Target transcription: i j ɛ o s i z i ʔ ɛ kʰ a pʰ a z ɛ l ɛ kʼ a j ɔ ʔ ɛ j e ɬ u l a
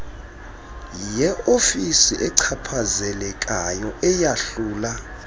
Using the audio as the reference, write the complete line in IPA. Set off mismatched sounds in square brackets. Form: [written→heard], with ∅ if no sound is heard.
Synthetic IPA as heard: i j ɛ o [s→f] i [z→s] i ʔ ɛ [kʰ→ǀʰ] a pʰ a z ɛ l ɛ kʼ a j ɔ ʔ ɛ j [e→a] ɬ [u→uː] l a